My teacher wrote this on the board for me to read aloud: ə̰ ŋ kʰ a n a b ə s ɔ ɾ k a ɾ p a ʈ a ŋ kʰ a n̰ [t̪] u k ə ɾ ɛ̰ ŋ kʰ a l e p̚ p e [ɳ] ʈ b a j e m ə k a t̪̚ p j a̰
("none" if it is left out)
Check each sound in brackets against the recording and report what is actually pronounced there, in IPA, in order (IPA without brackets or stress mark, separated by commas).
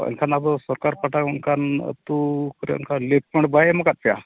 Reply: t̪, ɳ